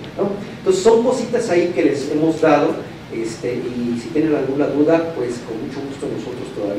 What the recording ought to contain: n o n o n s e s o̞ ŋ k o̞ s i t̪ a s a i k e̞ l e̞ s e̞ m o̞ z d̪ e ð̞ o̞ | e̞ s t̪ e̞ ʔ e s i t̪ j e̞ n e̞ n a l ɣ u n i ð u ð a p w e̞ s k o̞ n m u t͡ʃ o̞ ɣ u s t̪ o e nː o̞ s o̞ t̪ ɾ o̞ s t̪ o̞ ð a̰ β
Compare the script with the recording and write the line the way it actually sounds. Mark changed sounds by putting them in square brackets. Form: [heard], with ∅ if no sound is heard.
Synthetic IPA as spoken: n o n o n s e s o̞ ŋ k o̞ s i t̪ a s a i k e̞ l e̞ s e̞ m o̞ z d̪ [a] ð̞ o̞ | e̞ s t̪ e̞ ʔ [i] s i t̪ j e̞ n e̞ n a l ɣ u n [a] ð u ð a p w e̞ s k o̞ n m u t͡ʃ o̞ ɣ u s t̪ o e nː o̞ s o̞ t̪ ɾ o̞ s t̪ o̞ ð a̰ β